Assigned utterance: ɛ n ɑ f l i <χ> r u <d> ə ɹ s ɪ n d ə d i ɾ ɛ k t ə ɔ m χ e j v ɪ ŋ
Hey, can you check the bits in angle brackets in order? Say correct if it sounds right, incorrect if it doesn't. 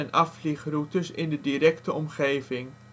correct, incorrect: t

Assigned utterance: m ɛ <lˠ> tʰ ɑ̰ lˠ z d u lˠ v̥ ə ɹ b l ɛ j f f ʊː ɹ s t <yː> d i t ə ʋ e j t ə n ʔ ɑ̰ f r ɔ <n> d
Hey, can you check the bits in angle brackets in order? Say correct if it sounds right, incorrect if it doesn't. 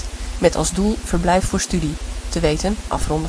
incorrect: none, incorrect: y, correct

